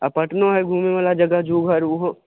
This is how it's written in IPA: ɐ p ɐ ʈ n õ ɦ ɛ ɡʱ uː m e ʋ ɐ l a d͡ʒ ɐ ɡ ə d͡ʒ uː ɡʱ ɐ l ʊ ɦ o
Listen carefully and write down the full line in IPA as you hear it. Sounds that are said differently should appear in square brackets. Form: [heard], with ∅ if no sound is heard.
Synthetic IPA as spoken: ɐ p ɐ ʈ n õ ɦ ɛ ɡʱ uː m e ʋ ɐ l a d͡ʒ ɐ ɡ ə d͡ʒ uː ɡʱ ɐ [ɾ] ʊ ɦ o